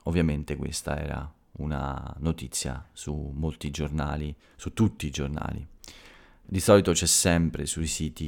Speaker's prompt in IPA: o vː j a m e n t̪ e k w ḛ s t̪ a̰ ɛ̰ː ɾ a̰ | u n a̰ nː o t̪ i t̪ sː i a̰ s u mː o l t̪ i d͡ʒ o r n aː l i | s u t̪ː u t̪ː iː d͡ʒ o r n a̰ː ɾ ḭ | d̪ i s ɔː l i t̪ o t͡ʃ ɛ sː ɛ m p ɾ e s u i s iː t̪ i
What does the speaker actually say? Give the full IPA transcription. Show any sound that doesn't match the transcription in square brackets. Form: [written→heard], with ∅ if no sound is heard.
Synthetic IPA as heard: o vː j a m e n t̪ e k w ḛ s t̪ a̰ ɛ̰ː ɾ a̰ | u n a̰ [nː→n] o t̪ i t̪ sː [i→j] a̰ s u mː o l t̪ i d͡ʒ o r n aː l i | s u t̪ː u t̪ː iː d͡ʒ o r n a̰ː [ɾ→l] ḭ | d̪ i s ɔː l i t̪ o t͡ʃ ɛ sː ɛ m p ɾ e s u i s iː t̪ i